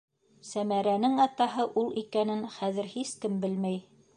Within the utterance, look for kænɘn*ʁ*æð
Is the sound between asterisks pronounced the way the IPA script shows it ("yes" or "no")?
no